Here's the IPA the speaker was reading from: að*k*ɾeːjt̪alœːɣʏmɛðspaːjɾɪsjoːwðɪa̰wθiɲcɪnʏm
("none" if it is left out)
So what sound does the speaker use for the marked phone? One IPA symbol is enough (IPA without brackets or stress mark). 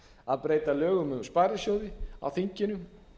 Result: p